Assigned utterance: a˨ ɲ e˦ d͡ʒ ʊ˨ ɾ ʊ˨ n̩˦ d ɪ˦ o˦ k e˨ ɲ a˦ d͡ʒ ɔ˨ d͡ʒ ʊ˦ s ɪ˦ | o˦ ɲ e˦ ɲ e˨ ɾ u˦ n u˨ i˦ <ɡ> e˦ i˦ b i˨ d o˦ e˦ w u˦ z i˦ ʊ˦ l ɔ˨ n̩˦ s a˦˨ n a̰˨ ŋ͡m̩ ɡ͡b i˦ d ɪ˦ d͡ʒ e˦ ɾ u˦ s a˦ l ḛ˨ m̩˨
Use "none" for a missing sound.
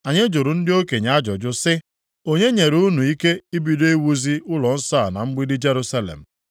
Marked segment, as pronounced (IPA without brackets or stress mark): k